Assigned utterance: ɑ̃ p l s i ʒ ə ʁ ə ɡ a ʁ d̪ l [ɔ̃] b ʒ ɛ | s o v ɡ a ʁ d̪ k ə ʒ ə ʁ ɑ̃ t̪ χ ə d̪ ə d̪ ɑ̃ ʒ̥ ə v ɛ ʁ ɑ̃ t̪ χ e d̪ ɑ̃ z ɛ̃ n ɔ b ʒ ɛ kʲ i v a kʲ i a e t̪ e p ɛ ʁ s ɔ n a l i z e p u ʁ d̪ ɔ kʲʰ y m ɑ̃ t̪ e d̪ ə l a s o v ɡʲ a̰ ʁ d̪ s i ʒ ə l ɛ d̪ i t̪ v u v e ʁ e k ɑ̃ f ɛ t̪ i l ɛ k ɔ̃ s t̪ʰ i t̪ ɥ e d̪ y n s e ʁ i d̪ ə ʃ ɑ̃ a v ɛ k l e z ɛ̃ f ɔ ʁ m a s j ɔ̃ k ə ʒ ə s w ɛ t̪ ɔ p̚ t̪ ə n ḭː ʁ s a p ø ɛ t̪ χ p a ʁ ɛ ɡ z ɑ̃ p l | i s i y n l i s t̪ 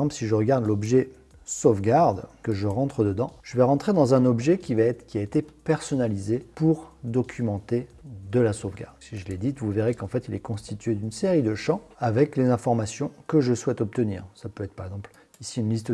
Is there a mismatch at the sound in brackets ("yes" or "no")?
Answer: yes